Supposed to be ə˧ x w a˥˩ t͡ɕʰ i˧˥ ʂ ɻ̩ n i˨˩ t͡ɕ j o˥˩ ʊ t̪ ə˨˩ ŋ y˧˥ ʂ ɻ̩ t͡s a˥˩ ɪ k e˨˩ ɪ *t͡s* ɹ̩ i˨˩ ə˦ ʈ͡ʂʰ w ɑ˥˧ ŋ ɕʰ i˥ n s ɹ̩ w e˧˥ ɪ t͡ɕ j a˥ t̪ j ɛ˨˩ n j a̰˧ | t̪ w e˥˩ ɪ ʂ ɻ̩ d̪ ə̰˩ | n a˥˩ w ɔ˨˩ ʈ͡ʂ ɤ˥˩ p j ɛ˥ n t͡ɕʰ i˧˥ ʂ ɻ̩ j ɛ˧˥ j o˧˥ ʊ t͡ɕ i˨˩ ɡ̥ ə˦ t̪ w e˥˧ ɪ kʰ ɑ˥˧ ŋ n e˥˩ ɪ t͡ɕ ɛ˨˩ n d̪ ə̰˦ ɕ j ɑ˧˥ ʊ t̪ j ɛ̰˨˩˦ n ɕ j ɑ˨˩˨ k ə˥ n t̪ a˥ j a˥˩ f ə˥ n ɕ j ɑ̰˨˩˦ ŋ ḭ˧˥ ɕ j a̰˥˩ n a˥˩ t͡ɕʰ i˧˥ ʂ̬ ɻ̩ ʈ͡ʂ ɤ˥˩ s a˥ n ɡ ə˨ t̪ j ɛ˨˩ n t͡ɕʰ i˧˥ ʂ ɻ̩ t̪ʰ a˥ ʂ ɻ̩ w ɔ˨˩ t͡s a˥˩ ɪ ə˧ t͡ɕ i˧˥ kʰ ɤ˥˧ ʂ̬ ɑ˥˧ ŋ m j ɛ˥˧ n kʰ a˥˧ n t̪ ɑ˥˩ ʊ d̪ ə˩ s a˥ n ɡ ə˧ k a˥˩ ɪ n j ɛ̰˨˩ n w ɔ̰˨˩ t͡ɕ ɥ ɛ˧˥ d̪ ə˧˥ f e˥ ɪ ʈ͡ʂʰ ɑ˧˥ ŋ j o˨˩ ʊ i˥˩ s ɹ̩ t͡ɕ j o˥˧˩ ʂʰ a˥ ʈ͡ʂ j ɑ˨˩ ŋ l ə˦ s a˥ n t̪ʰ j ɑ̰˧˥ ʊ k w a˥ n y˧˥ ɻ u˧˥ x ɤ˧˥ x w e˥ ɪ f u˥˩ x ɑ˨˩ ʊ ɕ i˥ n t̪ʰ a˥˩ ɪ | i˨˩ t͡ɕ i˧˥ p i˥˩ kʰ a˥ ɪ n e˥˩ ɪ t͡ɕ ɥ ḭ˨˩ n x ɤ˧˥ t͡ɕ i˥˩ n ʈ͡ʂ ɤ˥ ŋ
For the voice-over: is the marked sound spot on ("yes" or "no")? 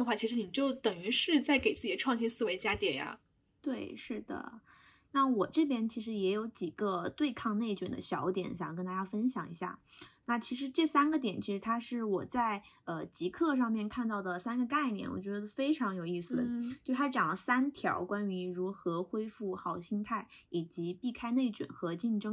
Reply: yes